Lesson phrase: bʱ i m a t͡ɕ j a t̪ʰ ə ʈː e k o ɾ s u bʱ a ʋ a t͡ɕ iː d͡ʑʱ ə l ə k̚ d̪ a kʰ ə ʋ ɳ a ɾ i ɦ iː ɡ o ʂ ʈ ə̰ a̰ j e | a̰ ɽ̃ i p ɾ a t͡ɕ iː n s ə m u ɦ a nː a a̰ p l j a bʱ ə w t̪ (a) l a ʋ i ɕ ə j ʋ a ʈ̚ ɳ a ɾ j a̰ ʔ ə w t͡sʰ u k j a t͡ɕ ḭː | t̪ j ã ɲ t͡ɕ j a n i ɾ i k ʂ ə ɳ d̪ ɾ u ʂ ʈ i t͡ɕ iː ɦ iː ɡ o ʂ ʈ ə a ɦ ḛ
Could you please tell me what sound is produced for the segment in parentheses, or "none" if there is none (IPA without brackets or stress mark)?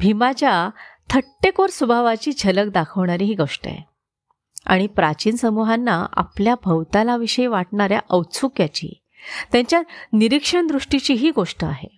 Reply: a